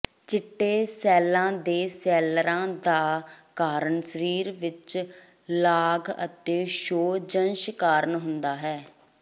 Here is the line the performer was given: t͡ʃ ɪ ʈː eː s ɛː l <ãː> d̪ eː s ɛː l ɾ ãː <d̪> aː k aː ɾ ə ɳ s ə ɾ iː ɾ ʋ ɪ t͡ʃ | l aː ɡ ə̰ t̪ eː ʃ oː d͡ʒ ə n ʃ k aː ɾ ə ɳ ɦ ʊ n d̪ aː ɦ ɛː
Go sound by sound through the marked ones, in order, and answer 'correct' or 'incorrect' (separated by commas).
correct, correct